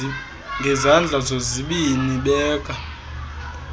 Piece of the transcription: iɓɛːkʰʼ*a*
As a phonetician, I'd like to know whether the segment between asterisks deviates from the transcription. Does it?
no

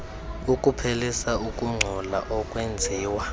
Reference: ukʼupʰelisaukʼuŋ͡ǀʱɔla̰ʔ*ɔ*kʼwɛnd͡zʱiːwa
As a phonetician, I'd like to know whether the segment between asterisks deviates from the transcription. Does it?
no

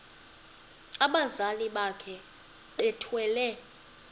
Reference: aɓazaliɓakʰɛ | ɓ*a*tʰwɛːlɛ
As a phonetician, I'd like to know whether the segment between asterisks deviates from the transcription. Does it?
yes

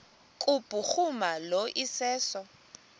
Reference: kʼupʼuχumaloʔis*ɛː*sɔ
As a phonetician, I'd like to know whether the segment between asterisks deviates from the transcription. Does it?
no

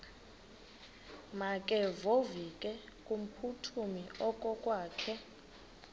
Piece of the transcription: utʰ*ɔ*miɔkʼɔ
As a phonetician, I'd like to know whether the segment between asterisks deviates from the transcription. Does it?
yes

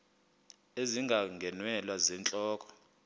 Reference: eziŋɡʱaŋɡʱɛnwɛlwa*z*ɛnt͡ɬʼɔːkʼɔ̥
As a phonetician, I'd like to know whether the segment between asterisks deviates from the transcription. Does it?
no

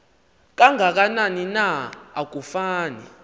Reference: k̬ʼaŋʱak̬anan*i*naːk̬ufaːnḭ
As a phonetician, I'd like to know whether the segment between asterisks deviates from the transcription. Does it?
no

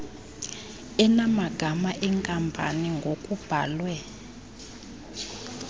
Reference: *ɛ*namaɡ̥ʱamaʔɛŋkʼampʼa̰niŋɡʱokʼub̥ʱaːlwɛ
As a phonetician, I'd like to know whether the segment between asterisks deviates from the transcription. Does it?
no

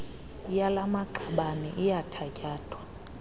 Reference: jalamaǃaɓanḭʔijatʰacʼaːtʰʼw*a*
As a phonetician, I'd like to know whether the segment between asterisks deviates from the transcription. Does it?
no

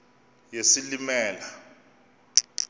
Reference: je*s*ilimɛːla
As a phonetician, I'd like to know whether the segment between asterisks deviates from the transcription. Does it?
no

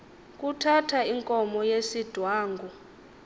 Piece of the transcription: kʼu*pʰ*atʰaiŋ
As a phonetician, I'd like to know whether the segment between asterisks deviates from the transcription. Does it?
yes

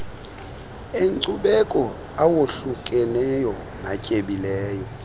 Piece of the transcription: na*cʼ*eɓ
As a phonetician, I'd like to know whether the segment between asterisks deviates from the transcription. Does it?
no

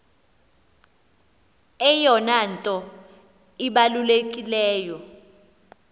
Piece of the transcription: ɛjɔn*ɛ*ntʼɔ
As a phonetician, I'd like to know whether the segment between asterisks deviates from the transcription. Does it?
yes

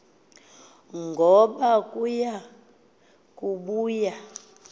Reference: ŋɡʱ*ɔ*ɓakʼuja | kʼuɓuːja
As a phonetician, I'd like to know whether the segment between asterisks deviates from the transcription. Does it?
no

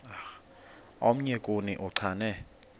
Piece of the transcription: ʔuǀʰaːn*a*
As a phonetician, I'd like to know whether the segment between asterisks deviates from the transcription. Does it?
yes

